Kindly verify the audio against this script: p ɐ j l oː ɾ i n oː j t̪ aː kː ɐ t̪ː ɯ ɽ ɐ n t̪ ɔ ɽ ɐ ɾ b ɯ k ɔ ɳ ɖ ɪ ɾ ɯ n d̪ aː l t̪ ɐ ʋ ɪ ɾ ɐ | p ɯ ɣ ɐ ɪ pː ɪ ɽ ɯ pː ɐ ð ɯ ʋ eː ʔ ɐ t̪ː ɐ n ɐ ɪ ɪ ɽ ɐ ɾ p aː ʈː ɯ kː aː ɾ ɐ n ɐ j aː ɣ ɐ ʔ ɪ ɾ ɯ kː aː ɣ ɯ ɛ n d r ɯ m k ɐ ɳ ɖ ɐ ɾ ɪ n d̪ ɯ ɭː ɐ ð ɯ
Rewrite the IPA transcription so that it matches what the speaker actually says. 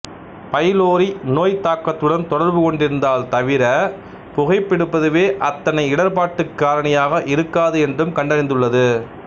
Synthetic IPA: p ɐ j l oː ɾ i n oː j t̪ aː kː ɐ t̪ː ɯ ɽ ɐ n t̪ ɔ ɽ ɐ ɾ b ɯ k ɔ ɳ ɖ ɪ ɾ ɯ n d̪ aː l t̪ ɐ ʋ ɪ ɾ ɐ | p ʊ ɣ ɐ ɪ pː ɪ ɽ ɯ pː ɐ ð ɯ ʋ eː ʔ ɐ t̪ː ɐ n ɐ ɪ ɪ ɽ ɐ ɾ p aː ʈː ɯ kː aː ɾ ɐ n ɐ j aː ɣ ɐ ʔ ɪ ɾ ɯ kː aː ð ɯ ɛ n d r ɯ m k ɐ ɳ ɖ ɐ ɾ ɪ n d̪ ɯ ɭː ɐ ð ɯ